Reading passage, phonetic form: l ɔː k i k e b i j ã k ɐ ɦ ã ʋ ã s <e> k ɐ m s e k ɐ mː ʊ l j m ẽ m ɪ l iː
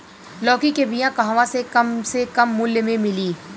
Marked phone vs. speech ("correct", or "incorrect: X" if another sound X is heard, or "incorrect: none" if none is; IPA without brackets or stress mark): correct